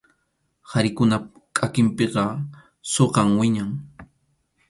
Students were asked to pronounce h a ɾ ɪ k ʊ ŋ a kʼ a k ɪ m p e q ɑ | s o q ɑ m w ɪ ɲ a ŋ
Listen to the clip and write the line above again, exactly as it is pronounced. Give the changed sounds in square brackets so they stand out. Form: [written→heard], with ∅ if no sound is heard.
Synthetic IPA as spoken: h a ɾ ɪ k ʊ [ŋ→n] a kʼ a k ɪ m p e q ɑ | s o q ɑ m w ɪ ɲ a ŋ